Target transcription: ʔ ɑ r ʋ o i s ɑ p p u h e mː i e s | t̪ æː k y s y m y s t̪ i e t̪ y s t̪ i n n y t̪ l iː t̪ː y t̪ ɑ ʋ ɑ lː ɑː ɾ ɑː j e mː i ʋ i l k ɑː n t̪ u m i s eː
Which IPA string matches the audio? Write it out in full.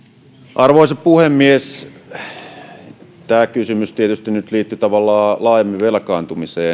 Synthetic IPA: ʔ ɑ r ʋ o i s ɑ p p u h e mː i e s | t̪ æː k y s y m y s t̪ i e t̪ y s t̪ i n n y t̪ l iː t̪ː y t̪ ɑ ʋ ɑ lː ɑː l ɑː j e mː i ʋ e l k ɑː n t̪ u m i s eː